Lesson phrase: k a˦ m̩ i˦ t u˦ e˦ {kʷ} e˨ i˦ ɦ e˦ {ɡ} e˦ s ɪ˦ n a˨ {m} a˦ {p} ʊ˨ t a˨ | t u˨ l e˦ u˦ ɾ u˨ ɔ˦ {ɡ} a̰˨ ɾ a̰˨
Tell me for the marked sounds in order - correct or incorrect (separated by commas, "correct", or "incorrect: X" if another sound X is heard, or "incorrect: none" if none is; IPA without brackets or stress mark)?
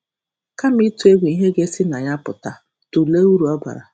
incorrect: ɡʷ, correct, incorrect: ɲ, correct, incorrect: b